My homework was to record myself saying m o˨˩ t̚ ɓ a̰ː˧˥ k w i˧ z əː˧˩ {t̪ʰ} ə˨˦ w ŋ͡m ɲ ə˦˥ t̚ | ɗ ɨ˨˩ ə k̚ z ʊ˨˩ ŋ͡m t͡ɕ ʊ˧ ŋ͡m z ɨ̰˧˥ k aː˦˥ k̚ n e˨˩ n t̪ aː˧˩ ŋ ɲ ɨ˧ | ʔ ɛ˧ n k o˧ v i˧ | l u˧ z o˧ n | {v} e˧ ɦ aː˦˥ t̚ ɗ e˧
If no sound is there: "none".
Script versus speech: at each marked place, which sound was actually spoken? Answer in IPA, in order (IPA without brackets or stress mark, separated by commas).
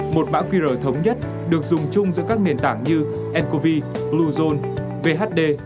t̪ʰ, v